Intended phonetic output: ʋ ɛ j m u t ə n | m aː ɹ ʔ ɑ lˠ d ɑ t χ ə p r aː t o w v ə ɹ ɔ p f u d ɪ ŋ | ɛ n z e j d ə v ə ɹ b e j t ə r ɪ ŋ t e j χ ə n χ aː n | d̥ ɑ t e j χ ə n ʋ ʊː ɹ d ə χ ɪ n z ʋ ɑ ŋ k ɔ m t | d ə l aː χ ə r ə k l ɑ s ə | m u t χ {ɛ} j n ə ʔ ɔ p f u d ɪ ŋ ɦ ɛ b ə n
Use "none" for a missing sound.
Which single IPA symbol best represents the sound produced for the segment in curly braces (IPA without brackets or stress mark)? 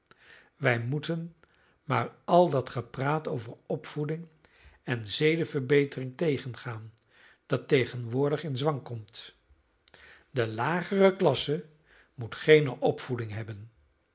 e